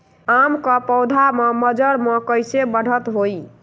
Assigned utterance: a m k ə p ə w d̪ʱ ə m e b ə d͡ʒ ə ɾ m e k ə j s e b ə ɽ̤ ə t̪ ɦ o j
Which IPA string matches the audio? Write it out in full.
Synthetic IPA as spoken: a m k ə p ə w d̪ʱ a m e m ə d͡ʒ ə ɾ m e k ə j s e b ə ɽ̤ ə t̪ ɦ o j